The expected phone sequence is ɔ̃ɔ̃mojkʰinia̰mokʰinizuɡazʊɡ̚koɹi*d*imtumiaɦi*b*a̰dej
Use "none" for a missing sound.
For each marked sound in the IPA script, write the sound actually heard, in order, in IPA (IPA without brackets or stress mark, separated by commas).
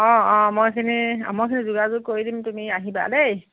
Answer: d, b